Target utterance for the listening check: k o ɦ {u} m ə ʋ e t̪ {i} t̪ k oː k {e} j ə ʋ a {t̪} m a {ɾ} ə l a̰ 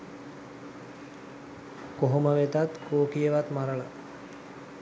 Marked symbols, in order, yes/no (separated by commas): no, no, no, yes, yes